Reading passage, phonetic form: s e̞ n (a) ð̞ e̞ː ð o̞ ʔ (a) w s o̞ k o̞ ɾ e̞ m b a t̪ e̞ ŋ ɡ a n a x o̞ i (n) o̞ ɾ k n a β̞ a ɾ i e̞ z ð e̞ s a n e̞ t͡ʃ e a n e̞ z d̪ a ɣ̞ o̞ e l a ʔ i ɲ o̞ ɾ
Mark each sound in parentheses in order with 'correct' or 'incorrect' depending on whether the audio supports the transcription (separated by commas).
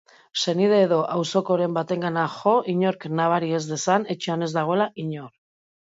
incorrect, correct, incorrect